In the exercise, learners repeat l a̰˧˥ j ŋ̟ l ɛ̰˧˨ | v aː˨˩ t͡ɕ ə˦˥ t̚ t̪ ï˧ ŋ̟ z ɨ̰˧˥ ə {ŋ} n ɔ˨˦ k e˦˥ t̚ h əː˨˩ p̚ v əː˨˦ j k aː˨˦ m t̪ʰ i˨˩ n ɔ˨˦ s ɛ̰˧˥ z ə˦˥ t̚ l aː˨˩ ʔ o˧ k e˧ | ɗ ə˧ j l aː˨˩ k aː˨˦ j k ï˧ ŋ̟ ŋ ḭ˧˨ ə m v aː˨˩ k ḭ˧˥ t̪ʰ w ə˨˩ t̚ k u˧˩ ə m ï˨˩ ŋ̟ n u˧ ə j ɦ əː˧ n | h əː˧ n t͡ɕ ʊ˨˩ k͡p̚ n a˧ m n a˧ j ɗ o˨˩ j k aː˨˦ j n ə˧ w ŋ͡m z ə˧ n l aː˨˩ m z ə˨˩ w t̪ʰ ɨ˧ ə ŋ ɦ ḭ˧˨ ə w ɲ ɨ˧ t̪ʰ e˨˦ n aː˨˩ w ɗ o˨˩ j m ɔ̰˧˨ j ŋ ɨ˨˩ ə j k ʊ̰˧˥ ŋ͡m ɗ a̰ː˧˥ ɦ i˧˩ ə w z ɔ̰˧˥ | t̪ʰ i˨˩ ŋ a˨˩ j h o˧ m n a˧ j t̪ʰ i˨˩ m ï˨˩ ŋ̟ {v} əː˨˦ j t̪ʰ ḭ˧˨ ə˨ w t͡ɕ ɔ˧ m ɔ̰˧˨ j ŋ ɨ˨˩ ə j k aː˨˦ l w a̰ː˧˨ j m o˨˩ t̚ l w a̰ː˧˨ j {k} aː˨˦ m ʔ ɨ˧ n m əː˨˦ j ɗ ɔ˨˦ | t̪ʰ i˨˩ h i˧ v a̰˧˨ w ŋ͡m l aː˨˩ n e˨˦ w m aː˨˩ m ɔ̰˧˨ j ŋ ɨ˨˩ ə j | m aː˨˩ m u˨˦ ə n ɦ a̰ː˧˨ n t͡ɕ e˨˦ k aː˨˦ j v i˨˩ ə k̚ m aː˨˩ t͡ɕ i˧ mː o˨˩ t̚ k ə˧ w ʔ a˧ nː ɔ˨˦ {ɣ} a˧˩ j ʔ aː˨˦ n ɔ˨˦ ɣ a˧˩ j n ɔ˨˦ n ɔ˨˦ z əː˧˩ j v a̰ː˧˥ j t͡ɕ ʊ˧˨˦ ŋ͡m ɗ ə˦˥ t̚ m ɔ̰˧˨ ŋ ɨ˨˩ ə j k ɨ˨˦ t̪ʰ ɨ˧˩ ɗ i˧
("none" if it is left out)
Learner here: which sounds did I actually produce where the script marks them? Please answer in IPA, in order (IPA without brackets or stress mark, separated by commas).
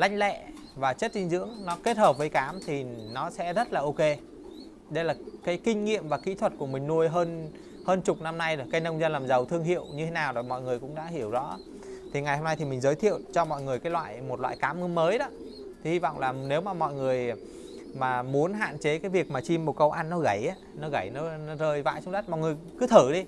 ŋ, z, k, ɣ